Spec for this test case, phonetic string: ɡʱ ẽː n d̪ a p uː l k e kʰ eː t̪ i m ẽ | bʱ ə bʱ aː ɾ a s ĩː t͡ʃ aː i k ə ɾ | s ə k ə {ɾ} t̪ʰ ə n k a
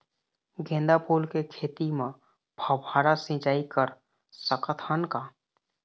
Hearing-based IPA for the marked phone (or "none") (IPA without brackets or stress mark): none